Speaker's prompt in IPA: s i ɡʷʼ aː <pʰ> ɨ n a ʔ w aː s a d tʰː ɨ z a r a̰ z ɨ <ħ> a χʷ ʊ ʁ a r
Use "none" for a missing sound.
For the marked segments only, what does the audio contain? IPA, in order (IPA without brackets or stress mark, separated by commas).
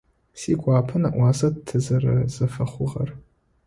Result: pʰ, f